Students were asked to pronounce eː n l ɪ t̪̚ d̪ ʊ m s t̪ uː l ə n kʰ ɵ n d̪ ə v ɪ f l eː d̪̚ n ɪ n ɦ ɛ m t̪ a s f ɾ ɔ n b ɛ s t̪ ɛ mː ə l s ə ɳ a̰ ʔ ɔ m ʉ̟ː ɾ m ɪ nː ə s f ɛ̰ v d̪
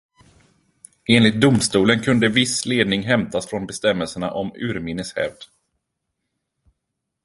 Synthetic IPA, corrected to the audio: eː n l ɪ t̪̚ d̪ ʊ m s t̪ uː l ə n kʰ ɵ n d̪ ə v ɪ s l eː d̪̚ n ɪ ŋ ɦ ɛ m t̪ a s f ɾ ɔ n b ɛ s t̪ ɛ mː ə l s ə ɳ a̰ ʔ ɔ m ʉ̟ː ɾ m ɪ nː ə s h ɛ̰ v d̪

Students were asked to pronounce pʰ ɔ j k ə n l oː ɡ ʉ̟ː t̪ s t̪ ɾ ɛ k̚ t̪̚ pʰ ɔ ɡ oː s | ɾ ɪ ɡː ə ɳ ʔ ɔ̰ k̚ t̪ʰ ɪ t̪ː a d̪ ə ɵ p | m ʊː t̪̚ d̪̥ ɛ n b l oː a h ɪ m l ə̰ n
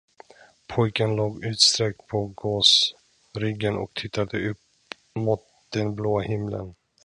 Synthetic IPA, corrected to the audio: pʰ ɔ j k ə n l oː ɡ ʉ̟ː t̪ s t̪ ɾ ɛ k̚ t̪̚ pʰ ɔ ɡ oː s | ɾ ɪ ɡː ə n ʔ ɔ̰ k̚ t̪ʰ ɪ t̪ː a d̪ ə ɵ p | m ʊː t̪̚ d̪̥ ɛ n b l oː a h ɪ m l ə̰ n

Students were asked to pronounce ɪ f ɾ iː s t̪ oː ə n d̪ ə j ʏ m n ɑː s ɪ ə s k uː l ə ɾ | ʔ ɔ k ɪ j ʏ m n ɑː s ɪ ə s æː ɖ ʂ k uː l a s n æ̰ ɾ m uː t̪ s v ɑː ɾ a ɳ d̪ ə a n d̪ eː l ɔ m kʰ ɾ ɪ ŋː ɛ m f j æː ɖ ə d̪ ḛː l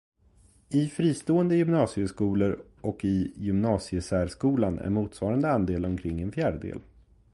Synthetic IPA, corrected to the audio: ɪ f ɾ iː s t̪ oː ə n d̪ ə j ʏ m n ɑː s ɪ ə s k uː l ə ɾ | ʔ ɔ k ɪ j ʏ m n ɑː s ɪ ə s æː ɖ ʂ k uː l a n æ̰ ɾ m uː t̪ s v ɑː ɾ a n d̪ ə a n d̪ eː l ɔ m kʰ ɾ ɪ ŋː ɛ n f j æː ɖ ə d̪ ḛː l

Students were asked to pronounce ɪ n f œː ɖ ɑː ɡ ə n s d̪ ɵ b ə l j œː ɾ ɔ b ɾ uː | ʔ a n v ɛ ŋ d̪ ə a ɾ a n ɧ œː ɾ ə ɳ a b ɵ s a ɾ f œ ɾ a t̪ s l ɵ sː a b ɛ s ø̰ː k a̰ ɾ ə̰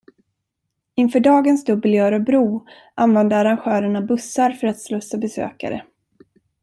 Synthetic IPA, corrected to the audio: ɪ n f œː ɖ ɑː ɡ ə n s d̪ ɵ b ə l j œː ɾ ɔ b ɾ uː | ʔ a n v ɛ n d̪ ə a ɾ a n ɧ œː ɾ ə ɳ a b ɵ s a ɾ f œ ɾ a t̪ s l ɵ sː a b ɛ s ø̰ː k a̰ ɾ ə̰

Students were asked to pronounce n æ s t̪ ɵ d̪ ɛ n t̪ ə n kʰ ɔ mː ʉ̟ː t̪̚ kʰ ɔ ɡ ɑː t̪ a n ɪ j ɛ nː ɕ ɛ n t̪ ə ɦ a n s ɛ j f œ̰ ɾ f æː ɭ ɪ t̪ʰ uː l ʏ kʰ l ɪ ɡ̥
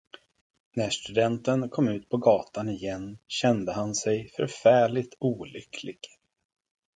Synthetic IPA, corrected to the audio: n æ ʂ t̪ ɵ d̪ ɛ n t̪ ə n kʰ ɔ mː ʉ̟ː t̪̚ pʰ ɔ ɡ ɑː t̪ a n ɪ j ɛ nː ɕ ɛ n d̪ ə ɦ a n s ɛ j f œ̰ ɾ f æː ɭ ɪ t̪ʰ uː l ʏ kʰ l ɪ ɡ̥

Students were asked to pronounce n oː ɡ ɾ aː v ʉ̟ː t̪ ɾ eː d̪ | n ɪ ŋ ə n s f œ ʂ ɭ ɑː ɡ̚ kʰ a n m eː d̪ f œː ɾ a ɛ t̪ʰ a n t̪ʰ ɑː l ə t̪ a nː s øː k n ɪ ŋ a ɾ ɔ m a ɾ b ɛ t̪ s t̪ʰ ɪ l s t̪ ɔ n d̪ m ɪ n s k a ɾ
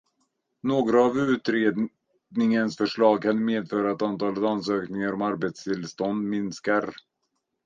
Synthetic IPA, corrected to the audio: n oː ɡ ɾ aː v ʉ̟ː t̪ ɾ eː d̪ | n ɪ ŋ ə n s f œ ʂ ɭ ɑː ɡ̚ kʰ a n m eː d̪ f œː ɾ a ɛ t̪ a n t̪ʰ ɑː l ə t̪ a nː s øː k n ɪ ŋ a ɾ ɔ m a ɾ b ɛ t̪ s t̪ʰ ɪ l s t̪ ɔ n d̪ m ɪ n s k a ɾ

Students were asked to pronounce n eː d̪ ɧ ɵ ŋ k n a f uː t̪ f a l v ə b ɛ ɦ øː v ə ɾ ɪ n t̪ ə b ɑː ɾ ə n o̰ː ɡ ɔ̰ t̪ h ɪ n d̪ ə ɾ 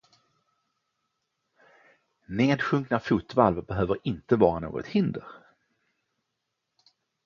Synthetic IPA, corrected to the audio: n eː d̪ ɧ ɵ ŋ k n a f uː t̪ v a l v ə b ɛ ɦ øː v ə ɾ ɪ n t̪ ə v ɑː ɾ a n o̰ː ɡ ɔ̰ t̪ h ɪ n d̪ ə ɾ

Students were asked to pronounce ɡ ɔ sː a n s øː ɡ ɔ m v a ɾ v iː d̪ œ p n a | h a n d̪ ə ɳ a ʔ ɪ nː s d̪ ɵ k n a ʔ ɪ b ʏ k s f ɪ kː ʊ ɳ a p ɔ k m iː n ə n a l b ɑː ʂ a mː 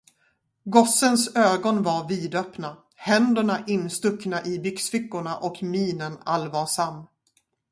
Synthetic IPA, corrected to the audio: ɡ ɔ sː ə n s øː ɡ ɔ n v a ɾ v iː d̪ œ p n a | h ɛ n d̪ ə ɳ a ʔ ɪ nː s t̪ ɵ k n a ʔ ɪ b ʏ k s f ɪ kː ʊ ɳ a ʔ ɔ k m iː n ə n a l v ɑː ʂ a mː

